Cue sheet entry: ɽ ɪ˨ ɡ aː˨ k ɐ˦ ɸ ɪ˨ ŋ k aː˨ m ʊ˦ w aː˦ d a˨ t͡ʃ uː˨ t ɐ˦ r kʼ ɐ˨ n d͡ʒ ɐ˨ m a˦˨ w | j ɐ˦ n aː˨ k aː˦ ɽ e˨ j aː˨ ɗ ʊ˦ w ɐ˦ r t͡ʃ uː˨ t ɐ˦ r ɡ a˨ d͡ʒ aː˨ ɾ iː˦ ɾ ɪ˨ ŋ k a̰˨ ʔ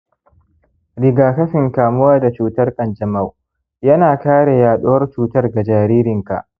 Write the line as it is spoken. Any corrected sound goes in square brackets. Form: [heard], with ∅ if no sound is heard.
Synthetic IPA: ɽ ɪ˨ ɡ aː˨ k ɐ˦ ɸ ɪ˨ ŋ k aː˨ m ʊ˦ w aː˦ d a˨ t͡ʃ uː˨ t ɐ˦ r kʼ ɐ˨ n d͡ʒ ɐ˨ m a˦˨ w | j ɐ˦ n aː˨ k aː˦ ɽ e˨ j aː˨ ɗ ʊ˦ w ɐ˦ r t͡ʃ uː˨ t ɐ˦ r ɡ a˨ d͡ʒ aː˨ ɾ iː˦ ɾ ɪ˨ ŋ k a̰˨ ʔ